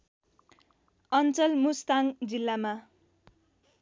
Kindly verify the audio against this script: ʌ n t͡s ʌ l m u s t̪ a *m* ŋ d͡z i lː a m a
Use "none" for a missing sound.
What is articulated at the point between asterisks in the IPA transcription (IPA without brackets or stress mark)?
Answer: none